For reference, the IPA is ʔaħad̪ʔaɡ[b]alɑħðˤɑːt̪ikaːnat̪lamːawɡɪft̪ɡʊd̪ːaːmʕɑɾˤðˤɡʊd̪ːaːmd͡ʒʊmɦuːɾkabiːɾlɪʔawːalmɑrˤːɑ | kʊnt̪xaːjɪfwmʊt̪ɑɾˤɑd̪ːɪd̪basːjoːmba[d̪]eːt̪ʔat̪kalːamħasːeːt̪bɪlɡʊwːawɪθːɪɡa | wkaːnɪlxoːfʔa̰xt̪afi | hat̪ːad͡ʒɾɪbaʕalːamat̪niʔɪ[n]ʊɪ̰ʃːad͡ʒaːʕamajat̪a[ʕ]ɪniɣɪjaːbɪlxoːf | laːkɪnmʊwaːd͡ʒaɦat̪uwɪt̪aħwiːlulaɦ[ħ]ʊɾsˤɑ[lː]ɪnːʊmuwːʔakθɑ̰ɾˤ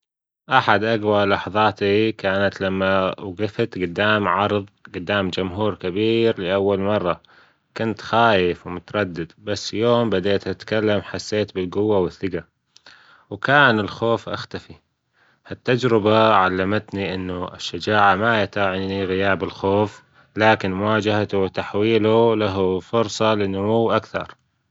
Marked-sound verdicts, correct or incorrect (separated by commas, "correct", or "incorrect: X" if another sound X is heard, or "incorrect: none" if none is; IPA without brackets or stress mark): incorrect: w, correct, incorrect: nː, correct, incorrect: f, incorrect: l